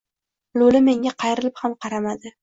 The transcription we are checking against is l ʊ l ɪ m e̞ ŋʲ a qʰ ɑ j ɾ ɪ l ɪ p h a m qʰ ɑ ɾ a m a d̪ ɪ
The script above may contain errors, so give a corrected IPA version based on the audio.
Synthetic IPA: l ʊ l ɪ m e̞ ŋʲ a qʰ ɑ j ɾ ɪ l ɪ p h a m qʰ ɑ ɾ a m a d̪ ɪ

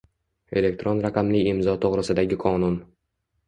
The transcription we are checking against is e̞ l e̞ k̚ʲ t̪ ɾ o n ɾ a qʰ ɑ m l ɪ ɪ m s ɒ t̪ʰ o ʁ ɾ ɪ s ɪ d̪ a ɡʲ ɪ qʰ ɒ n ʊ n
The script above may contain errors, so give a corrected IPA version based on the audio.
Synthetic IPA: e̞ l e̞ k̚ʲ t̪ ɾ o n ɾ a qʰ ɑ m l ɪ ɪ m z ɒ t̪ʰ o ʁ ɾ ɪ s ɪ d̪ a ɡʲ ɪ qʰ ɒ n ʊ n

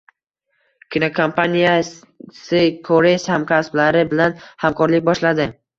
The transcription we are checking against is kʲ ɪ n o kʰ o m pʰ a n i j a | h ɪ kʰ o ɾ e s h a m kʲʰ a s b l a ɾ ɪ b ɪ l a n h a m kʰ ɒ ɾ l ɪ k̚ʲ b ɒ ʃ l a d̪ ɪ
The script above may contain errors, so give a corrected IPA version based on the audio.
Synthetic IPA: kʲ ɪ n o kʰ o m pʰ a n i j a | s ɪ kʰ o ɾ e s h a m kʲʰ a s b l a ɾ ɪ b ɪ l a n h a m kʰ ɒ ɾ l ɪ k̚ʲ b ɒ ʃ l a d̪ ɪ

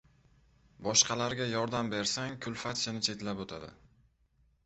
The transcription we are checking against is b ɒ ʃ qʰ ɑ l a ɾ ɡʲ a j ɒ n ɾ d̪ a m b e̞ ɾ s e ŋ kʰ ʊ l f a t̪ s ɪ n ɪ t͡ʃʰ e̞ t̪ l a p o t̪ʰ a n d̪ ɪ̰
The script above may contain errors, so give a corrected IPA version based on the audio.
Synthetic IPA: b ɒ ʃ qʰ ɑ l a ɾ ɡʲ a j ɒ ɾ d̪ a m b e̞ ɾ s a ŋ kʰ ʊ l f a t̪ ʃ ɪ n ɪ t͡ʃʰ e̞ t̪ l a p o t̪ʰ a d̪ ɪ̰

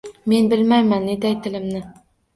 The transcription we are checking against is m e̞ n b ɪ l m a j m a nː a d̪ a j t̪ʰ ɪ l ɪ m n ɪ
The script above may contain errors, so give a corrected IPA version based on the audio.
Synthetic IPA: m e̞ n b ɪ l m a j m a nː e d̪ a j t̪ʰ ɪ l ɪ m n ɪ

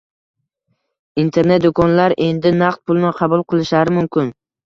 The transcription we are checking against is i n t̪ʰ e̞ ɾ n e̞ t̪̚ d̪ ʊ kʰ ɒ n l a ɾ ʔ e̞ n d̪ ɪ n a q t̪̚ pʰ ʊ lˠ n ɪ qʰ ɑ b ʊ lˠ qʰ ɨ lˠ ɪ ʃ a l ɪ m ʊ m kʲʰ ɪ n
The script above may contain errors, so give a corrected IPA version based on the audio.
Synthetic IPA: i n t̪ʰ e̞ ɾ n e̞ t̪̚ d̪ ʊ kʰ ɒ n l a ɾ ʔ e̞ n d̪ ɪ n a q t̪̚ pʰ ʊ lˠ n ɪ qʰ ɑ b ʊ lˠ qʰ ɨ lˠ ɪ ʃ a ɾ ɪ m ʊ m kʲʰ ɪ n

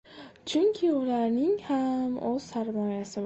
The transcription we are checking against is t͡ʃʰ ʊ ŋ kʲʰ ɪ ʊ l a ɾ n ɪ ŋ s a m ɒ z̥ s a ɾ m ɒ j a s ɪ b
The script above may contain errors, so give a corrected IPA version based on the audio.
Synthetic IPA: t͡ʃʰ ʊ ŋ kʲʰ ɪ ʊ l a ɾ n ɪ ŋ h a m o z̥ s a ɾ m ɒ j a s ɪ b

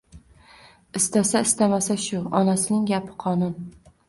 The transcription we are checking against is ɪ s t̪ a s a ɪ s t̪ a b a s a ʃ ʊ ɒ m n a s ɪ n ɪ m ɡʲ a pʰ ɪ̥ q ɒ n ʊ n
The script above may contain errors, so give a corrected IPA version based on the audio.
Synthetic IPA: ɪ s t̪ a s a ɪ s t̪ a m a s a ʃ ʊ ɒ n a s ɪ n ɪ ŋ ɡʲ a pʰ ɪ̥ qʰ ɒ n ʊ n

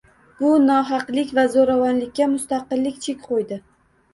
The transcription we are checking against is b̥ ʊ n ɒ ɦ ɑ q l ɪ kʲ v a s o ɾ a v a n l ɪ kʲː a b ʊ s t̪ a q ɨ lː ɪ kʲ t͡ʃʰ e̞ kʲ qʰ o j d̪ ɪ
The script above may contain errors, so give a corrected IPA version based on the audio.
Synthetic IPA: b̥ ʊ n ɒ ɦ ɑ q l ɪ kʲ v a z o ɾ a v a n l ɪ kʲː a m ʊ s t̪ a q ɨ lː ɪ kʲ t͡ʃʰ e̞ kʲ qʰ o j d̪ ɪ

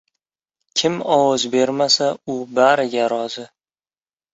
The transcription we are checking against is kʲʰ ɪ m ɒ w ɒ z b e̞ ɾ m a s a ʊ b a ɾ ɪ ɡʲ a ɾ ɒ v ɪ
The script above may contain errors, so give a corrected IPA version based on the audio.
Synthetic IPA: kʲʰ ɪ m ɒ w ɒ z b e̞ ɾ m a s a ʊ b a ɾ ɪ ɡʲ a ɾ ɒ z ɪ

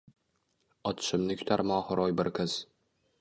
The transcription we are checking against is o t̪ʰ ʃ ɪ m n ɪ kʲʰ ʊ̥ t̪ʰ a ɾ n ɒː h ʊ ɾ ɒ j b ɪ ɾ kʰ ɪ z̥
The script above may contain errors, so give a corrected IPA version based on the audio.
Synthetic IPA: ɒ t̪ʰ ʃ ɪ m n ɪ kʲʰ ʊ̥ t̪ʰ a ɾ m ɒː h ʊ ɾ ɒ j b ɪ ɾ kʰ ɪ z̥

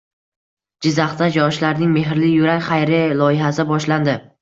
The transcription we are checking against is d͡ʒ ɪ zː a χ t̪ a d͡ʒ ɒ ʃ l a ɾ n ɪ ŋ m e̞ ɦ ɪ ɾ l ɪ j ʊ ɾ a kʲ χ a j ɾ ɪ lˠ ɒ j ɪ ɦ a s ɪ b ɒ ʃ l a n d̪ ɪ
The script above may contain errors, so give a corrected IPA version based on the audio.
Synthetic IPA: d͡ʒ ɪ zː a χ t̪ a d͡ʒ ɒ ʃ l a ɾ n ɪ ŋ m e̞ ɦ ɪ ɾ l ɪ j ʊ ɾ a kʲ χ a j ɾ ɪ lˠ ɒ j ɪ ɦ a s ɪ b ɒ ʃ l a n d̪ ɪ

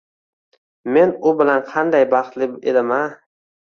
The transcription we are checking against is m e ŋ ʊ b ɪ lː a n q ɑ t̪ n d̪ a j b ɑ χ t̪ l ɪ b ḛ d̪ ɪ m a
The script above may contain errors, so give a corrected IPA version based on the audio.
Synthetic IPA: m e n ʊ b ɪ l a n qʰ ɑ n d̪ a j b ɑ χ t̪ l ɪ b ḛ d̪ ɪ m a

